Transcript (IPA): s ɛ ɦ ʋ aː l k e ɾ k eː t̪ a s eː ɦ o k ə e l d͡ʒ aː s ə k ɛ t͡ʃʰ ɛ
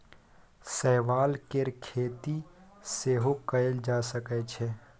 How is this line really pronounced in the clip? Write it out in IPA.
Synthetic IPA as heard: s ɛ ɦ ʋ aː l k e ɾ kʰ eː t̪ i s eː ɦ o k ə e l d͡ʒ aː s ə k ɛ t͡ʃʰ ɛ